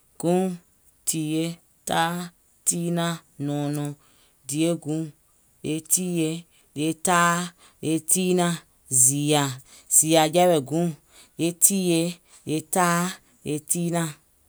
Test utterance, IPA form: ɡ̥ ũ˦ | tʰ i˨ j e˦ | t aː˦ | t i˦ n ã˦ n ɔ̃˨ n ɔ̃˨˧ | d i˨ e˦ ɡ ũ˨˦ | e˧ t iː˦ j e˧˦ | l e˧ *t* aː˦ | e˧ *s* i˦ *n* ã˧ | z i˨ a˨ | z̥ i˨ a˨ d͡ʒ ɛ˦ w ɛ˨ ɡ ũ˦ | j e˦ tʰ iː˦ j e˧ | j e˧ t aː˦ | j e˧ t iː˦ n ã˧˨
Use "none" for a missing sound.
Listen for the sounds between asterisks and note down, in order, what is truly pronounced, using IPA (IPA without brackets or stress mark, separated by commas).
t, t, n